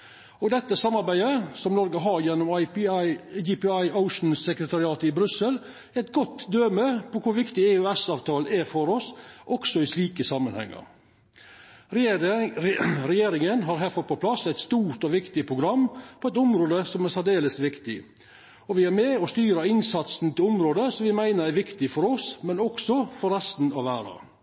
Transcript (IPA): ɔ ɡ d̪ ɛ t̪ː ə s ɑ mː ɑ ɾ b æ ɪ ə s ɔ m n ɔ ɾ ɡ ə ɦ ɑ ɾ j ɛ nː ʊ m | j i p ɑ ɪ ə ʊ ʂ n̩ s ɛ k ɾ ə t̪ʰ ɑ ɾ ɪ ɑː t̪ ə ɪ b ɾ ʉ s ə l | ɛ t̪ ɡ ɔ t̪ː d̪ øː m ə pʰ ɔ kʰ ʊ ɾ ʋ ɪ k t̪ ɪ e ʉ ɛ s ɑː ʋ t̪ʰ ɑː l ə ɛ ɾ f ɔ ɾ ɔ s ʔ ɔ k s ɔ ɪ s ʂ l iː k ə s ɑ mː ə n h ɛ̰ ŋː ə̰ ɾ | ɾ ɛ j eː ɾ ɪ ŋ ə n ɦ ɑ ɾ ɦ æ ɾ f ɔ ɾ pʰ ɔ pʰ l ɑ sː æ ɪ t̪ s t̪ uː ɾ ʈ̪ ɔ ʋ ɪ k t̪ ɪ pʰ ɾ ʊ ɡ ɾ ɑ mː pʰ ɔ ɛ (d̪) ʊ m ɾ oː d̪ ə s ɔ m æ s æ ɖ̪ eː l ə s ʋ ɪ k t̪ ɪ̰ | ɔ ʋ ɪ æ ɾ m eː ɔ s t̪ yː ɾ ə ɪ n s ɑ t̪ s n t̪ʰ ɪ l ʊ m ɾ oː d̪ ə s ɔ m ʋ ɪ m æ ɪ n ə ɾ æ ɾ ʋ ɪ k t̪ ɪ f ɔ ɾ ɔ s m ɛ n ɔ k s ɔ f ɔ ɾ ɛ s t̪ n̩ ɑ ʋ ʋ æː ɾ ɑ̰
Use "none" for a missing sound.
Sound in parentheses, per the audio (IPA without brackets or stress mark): t̪